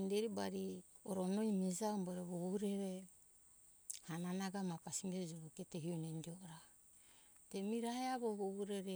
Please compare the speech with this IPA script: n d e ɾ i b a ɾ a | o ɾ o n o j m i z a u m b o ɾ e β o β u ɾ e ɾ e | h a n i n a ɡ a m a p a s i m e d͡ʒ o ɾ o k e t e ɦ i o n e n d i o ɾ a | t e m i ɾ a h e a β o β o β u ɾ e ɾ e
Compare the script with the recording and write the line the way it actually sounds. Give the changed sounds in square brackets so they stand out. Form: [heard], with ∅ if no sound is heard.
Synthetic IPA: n d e ɾ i b a ɾ [i] | o ɾ o n o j m i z a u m b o ɾ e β o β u ɾ e ɾ e | h a n [a] n a ɡ a m a p a s i m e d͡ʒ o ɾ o k e t e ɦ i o n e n d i o ɾ a | t e m i ɾ a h e a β o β o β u ɾ e ɾ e

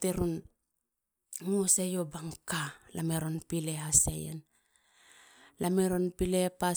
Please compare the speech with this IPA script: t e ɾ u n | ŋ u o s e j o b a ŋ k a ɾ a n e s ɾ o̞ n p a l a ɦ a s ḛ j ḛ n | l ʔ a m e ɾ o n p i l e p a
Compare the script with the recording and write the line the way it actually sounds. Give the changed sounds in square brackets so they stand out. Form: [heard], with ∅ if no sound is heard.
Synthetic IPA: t e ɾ u n | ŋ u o s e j o b a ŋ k a [l] a [m] e [∅] ɾ o̞ n p [i] l [e] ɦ a s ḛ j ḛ n | l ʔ a m e ɾ o n p i l e p a

